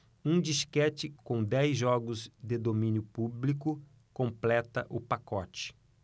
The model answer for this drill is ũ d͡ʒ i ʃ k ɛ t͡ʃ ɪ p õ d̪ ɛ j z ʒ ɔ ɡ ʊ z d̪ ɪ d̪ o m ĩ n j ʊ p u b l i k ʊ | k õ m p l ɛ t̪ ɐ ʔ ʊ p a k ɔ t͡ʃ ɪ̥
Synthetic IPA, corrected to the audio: ũ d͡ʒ i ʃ k ɛ t͡ʃ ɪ k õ d̪ ɛ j z ʒ ɔ ɡ ʊ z d̪ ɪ d̪ o m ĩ n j ʊ p u b l i k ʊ | k õ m p l ɛ t̪ ɐ ʔ ʊ p a k ɔ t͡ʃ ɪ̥